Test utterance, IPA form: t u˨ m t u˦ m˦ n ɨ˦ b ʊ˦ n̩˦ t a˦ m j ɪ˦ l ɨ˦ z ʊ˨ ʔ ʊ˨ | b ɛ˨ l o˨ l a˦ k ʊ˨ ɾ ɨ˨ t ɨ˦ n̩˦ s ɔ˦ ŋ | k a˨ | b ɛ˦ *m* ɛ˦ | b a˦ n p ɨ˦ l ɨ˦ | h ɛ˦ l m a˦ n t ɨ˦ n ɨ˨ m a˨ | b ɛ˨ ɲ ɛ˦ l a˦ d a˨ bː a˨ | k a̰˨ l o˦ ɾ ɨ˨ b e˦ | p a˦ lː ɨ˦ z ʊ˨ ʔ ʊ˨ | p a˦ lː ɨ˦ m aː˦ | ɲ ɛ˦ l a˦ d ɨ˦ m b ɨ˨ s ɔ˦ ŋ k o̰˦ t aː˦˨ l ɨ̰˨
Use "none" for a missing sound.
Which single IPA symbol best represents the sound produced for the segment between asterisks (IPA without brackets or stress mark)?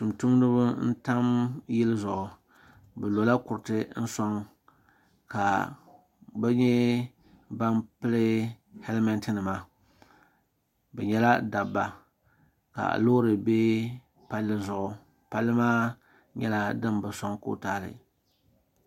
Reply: ɲ